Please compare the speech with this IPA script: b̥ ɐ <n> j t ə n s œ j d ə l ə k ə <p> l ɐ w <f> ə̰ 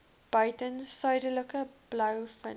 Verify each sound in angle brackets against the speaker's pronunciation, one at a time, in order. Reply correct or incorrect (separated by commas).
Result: incorrect, incorrect, correct